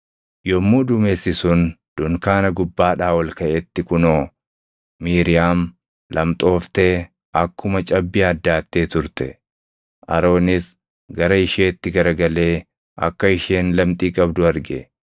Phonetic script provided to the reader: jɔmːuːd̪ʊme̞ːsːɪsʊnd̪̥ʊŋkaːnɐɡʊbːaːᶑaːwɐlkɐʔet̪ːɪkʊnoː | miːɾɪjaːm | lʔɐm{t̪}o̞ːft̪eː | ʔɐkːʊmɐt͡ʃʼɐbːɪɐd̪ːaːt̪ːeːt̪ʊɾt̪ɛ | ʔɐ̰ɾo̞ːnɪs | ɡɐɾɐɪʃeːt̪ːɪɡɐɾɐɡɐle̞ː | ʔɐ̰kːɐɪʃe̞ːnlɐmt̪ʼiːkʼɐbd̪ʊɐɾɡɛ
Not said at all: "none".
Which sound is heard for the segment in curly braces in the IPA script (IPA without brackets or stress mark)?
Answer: t̪ʼ